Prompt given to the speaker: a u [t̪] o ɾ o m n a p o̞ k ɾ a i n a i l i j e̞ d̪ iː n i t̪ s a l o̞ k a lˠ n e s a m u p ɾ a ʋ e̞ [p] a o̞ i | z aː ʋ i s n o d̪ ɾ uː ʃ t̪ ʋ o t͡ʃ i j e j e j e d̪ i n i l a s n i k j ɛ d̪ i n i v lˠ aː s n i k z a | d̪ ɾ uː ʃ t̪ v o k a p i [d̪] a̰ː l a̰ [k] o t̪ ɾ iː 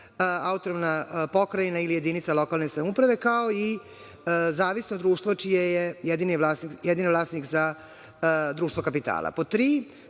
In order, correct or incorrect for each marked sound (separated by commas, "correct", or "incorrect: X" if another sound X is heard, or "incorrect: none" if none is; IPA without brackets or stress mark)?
correct, incorrect: k, incorrect: t̪, incorrect: p